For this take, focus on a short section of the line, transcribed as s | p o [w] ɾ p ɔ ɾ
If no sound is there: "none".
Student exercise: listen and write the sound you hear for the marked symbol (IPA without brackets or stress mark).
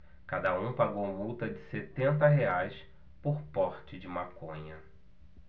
none